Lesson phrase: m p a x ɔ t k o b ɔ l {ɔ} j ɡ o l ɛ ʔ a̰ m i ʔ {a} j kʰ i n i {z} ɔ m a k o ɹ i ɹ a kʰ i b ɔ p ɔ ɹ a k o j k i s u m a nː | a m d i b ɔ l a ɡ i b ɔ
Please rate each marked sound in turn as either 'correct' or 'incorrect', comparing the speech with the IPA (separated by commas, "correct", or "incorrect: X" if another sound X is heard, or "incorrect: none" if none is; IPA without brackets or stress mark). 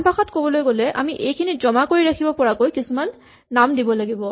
incorrect: o, incorrect: e, correct